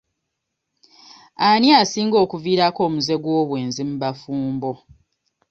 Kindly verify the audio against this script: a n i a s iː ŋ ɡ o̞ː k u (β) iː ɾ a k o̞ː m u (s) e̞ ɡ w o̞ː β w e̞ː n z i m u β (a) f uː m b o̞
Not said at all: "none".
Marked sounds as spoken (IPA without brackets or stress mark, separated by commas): v, z, a